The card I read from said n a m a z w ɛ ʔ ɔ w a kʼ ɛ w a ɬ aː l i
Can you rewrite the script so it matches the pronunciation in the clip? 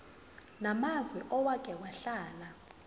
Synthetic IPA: n a m a z w ɛ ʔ ɔ w a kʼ ɛ w a ɬ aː l a

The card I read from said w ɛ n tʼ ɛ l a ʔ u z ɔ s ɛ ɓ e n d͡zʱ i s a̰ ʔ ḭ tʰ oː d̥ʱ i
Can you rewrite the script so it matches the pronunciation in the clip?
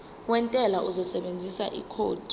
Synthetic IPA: w ɛ n tʼ ɛ l a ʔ u z ɔ s ɛ ɓ e n d͡zʱ i s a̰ ʔ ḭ kʰ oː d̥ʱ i

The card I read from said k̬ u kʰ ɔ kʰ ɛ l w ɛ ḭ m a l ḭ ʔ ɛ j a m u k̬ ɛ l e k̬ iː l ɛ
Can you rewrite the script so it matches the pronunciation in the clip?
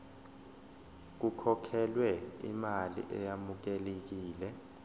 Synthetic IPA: k̬ u kʰ ɔ kʰ ɛ l w ɛ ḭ m a l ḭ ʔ ɛ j a m u k̬ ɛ l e k̬ iː l ɛ

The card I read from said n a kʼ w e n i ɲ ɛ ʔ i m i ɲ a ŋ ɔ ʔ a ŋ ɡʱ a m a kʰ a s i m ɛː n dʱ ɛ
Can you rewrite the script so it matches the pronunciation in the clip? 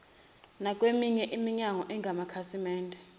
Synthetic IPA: n a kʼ w e m i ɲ ɛ ʔ i m i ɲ a ŋ ɔ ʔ ɛ ŋ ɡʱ a m a kʰ a s i m ɛː n dʱ ɛ

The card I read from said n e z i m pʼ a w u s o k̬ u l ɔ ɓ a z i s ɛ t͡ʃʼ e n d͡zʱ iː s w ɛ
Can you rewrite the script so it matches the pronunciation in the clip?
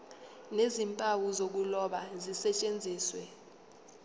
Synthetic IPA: n e z i m pʼ a w u z o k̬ u l ɔ ɓ a z i s ɛ t͡ʃʼ e n d͡zʱ iː s w ɛ

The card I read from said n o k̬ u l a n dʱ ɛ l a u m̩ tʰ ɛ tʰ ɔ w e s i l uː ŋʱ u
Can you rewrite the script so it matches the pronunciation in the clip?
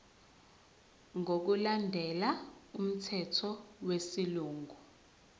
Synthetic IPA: ŋ o k̬ u l a n dʱ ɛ l a u m̩ tʰ ɛ tʰ ɔ w e s i l uː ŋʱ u

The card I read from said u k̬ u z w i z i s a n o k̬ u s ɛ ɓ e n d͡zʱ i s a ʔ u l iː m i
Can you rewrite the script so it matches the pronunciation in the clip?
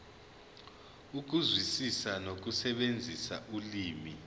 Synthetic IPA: u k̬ u z w i s i s a n o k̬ u s ɛ ɓ e n d͡zʱ i s a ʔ u l iː m i

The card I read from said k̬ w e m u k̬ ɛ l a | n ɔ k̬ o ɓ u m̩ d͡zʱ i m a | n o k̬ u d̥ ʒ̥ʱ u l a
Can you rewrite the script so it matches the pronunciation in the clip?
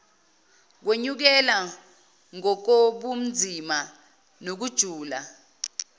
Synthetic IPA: k̬ w e ɲ u k̬ ɛ l a | ŋ ɔ k̬ o ɓ u m̩ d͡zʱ i m a | n o k̬ u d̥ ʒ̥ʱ uː l a

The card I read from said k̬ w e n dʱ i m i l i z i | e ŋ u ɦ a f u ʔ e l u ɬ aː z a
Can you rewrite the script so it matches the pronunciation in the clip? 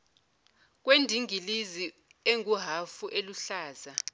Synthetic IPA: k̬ w e n dʱ i ŋ i l i z i | e ŋ u ɦ a f u ʔ e l u ɬ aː z a

